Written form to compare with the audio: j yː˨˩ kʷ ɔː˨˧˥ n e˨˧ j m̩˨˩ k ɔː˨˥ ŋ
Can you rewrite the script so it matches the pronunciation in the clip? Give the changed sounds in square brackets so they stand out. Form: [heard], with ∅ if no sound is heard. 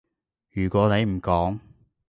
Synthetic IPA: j yː˨˩ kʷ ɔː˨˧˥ n e˨˧ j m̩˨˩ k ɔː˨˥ ŋ